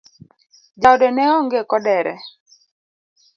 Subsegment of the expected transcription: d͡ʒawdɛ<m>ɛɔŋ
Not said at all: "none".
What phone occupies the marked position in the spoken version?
n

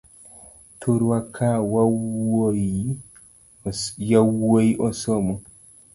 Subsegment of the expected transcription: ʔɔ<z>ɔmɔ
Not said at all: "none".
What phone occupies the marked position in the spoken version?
s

